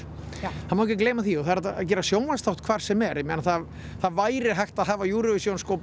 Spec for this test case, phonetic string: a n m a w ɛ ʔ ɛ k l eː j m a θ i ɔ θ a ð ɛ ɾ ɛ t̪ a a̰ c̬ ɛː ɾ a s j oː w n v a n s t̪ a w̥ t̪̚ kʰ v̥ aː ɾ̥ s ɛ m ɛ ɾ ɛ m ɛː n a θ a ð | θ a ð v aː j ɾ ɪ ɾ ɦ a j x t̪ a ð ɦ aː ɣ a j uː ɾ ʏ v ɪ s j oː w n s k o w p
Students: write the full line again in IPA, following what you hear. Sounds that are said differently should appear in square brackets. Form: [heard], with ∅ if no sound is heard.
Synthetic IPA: a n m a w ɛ [c] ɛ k l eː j m a θ i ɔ θ a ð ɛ ɾ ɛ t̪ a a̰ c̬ ɛː ɾ a s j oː w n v a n s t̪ a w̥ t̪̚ kʰ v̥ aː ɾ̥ s ɛ m ɛ ɾ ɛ m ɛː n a θ a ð | θ a ð v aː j ɾ ɪ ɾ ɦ a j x t̪ a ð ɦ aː [v] a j uː ɾ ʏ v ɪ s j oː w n s k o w p